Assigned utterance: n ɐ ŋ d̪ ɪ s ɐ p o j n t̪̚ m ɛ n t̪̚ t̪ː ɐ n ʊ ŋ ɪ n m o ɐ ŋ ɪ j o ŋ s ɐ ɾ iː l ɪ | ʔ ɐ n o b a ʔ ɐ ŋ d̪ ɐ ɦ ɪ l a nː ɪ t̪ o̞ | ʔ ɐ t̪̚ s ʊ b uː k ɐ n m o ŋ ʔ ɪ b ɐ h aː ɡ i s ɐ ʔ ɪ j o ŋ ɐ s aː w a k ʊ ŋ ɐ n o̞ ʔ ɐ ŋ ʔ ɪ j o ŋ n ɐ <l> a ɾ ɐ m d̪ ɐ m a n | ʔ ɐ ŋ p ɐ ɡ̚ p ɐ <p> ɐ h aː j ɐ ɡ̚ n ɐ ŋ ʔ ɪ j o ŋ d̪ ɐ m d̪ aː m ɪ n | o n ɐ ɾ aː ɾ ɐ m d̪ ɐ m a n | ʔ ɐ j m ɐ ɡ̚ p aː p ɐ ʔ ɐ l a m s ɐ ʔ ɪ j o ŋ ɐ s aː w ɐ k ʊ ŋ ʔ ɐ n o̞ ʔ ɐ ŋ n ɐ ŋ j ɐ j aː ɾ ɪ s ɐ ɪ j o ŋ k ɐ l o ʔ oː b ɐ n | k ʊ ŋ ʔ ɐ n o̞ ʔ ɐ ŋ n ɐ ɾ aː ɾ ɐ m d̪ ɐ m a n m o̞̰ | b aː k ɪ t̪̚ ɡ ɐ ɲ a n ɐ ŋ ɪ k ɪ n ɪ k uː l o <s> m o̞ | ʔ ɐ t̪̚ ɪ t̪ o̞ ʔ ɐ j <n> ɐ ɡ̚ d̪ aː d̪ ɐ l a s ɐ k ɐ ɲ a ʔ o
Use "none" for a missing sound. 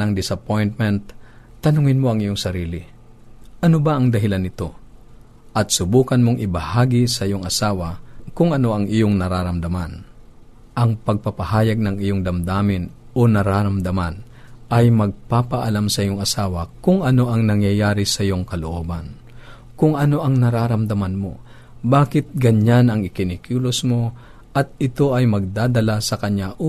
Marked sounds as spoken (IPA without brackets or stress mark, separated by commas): ɾ, p, s, m